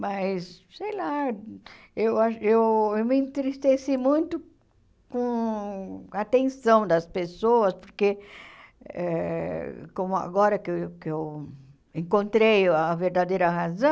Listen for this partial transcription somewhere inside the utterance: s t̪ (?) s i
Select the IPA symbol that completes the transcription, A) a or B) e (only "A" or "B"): B